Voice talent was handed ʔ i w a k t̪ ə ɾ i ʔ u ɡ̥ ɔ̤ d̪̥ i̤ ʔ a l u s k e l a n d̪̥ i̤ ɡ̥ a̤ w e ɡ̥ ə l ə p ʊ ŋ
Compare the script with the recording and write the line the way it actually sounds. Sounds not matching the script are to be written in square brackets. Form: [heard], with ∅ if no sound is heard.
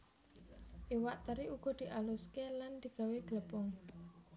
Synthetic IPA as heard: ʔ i w a [ʔ] t̪ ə ɾ i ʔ u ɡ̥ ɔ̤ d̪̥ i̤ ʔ a l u s k e l a n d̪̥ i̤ ɡ̥ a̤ w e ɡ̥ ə l ə p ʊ ŋ